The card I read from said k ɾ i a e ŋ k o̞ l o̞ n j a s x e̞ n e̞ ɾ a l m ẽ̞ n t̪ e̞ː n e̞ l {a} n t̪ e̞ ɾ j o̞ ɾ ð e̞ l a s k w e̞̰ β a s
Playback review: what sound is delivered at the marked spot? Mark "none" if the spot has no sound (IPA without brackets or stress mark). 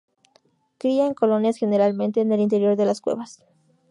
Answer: i